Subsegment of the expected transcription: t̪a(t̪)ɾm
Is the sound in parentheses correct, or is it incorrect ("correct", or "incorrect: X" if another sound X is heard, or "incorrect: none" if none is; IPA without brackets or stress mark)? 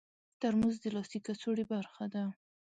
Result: incorrect: none